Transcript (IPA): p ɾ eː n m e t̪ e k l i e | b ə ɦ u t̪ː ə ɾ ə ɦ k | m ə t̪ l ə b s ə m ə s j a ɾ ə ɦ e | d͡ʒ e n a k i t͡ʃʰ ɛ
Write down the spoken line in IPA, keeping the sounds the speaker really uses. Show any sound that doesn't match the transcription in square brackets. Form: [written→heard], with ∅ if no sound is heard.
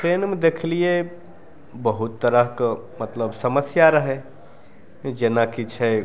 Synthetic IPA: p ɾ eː n m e [t̪→d̪] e [k→kʰ] l i e | b ə ɦ u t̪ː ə ɾ ə ɦ k | m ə t̪ l ə b s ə m ə s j a ɾ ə ɦ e | d͡ʒ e n a k i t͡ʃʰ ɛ